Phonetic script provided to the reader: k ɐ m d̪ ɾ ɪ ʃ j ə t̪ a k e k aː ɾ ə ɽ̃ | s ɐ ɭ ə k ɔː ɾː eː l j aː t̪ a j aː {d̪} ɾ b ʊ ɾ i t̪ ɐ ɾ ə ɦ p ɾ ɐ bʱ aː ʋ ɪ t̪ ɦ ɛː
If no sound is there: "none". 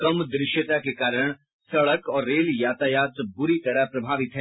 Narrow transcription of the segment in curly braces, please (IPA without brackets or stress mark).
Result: t̪